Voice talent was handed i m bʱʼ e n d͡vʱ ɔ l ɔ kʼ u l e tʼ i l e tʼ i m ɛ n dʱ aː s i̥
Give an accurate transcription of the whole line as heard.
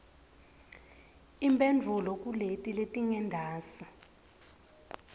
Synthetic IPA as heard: i m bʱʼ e n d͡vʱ u l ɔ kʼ u l e tʼ i l e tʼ i ŋ ɛ n dʱ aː s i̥